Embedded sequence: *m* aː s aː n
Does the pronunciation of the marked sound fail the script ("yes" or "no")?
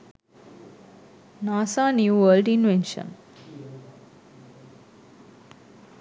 yes